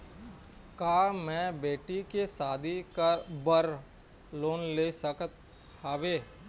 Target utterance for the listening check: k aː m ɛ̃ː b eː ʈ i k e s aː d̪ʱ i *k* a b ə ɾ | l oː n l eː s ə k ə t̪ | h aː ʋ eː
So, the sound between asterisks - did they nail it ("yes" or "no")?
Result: yes